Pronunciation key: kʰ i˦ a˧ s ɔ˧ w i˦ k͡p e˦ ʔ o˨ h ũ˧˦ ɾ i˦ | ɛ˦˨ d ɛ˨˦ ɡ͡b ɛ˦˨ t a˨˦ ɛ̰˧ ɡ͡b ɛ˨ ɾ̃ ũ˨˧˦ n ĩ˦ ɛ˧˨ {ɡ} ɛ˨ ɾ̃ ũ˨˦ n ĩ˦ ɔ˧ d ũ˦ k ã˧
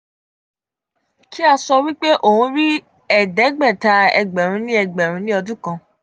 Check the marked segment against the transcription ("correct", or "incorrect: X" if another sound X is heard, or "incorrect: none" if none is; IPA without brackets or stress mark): incorrect: ɡ͡b